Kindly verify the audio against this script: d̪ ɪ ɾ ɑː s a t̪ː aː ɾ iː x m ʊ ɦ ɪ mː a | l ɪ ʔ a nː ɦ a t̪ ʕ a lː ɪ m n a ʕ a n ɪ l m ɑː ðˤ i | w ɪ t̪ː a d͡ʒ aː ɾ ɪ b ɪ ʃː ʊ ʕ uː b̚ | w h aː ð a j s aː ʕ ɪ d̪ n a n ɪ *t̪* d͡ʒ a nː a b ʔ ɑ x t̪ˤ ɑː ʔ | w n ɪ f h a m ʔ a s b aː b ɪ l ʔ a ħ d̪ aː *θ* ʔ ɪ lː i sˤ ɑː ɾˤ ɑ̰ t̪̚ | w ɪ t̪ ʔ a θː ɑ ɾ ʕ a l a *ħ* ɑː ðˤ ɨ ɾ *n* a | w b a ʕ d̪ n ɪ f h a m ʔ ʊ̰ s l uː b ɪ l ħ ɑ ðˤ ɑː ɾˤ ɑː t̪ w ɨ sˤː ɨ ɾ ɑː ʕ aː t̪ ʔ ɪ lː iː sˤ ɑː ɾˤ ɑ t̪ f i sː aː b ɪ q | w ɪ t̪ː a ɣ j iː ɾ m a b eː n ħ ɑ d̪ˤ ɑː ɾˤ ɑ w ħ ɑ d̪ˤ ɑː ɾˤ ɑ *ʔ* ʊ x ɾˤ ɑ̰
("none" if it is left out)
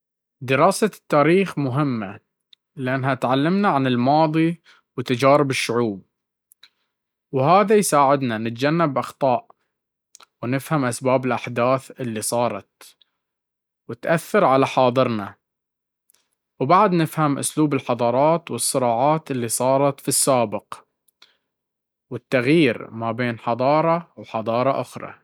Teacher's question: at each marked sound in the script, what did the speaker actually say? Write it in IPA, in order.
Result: t̪, θ, ħ, n, ʔ

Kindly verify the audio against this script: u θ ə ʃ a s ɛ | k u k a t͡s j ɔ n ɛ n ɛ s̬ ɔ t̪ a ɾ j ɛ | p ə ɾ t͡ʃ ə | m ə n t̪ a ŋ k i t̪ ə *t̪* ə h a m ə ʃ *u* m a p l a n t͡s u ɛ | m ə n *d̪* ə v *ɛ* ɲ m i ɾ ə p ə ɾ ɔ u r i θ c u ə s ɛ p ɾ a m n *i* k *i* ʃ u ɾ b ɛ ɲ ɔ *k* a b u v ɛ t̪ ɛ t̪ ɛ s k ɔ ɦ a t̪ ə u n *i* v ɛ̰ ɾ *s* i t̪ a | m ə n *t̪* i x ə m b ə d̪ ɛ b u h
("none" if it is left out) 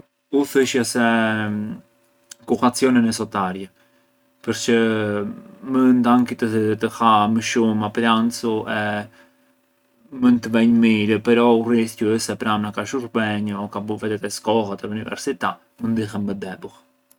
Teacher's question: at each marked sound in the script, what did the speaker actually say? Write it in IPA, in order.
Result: t̪, u, t̪, ɛ, a, a, k, i, s, d̪

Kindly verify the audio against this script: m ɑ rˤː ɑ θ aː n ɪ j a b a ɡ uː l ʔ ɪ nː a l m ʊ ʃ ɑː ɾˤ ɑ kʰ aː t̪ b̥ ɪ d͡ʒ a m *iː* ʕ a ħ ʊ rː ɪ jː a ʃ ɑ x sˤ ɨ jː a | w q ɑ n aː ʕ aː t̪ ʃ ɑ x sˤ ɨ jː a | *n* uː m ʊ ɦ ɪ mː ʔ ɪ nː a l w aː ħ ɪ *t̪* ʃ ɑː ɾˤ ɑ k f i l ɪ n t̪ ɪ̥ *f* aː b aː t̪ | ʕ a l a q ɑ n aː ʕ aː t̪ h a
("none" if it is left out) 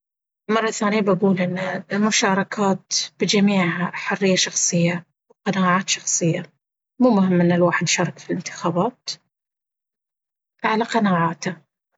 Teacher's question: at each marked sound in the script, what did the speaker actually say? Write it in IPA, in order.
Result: iː, m, d̪, x

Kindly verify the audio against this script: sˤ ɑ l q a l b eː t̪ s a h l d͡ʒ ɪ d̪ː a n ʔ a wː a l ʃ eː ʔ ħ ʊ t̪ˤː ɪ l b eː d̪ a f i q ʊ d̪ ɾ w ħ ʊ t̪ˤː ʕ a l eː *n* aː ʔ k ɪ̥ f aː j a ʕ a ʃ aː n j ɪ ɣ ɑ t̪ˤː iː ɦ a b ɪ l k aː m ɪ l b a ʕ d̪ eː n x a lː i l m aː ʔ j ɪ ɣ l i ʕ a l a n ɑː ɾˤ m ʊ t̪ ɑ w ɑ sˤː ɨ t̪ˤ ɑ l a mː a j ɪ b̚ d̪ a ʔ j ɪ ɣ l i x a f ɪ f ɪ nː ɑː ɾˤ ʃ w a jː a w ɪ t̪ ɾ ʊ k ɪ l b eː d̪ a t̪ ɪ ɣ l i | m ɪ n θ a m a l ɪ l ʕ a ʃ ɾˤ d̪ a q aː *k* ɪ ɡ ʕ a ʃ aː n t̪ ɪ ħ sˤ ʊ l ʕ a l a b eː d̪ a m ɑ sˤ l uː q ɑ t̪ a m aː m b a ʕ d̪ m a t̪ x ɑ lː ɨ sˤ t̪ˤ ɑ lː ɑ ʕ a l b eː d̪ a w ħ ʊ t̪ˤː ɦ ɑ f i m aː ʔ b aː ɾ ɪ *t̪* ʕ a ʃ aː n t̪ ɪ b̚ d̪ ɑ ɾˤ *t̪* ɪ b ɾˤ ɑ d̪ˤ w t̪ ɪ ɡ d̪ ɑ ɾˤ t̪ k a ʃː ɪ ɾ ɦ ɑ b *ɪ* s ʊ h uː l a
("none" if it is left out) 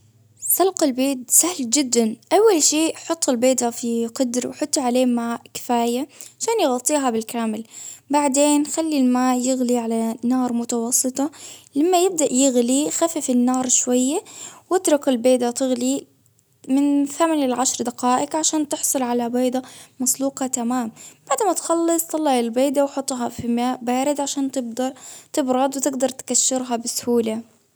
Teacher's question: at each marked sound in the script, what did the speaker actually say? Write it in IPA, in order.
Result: m, ʔ, d̪, t̪, ɪ

